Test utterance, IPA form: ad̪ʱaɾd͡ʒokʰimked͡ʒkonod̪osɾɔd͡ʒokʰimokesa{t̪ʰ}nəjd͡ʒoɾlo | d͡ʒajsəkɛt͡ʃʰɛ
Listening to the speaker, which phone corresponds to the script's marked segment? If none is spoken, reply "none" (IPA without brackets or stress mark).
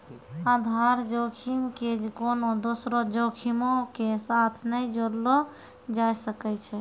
t̪ʰ